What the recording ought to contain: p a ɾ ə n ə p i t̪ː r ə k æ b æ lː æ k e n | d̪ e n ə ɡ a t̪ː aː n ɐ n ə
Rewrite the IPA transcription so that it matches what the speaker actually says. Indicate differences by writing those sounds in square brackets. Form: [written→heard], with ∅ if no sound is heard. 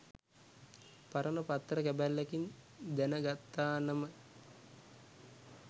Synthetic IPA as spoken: p a ɾ ə n ə p [i→a] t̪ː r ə k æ b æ lː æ k [e→i] n | d̪ [e→æ] n ə ɡ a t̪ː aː n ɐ [n→m] ə

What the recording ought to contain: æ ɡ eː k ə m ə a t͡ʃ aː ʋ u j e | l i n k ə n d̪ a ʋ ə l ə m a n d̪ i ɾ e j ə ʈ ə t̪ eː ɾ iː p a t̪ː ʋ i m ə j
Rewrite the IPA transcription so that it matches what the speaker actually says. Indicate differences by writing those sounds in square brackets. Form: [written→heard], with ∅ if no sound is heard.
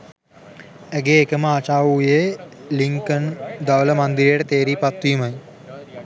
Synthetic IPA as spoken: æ ɡ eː k ə m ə a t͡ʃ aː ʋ u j e | l i [n→ŋ] k ə n d̪ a ʋ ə l ə m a n d̪ i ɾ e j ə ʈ ə t̪ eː ɾ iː p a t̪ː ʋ i m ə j

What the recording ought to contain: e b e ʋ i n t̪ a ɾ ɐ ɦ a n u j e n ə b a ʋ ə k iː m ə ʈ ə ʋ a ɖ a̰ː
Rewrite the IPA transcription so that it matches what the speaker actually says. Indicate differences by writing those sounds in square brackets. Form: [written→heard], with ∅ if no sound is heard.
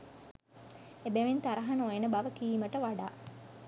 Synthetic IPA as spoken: e b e ʋ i n t̪ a ɾ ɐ ɦ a n [u→o] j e n ə b a ʋ ə k iː m ə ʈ ə ʋ a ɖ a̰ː

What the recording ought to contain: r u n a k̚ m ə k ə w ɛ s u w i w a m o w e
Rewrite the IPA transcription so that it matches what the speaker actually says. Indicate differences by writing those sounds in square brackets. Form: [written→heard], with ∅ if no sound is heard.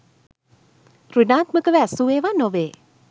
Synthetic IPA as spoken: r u n a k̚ m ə k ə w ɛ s u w [i→e] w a [m→n] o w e

